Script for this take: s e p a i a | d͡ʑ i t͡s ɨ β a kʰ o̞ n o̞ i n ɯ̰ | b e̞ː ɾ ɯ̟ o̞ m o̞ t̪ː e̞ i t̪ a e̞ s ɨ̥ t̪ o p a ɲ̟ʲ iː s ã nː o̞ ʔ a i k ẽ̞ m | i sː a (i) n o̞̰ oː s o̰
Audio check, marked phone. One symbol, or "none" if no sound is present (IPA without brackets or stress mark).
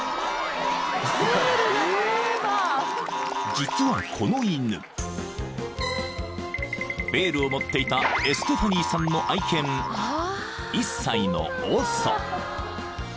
i